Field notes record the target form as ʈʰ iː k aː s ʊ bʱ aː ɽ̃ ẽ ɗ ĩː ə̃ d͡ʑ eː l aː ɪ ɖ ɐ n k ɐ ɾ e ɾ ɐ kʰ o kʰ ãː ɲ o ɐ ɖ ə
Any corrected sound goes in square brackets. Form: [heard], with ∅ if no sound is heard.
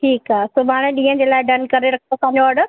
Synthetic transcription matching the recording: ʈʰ iː k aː s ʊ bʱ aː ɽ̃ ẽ ɗ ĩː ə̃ d͡ʑ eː l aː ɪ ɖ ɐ n k ɐ ɾ e ɾ ɐ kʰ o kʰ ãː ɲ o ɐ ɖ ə